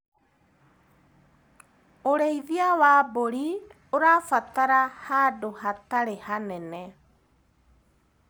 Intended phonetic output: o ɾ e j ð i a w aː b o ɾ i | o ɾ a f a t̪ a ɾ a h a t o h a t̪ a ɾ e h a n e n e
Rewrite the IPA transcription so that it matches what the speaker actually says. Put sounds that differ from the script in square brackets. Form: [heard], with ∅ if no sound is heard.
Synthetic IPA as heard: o ɾ e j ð i a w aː b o ɾ i | o ɾ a f a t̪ a ɾ a h a [d] o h a t̪ a ɾ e h a n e n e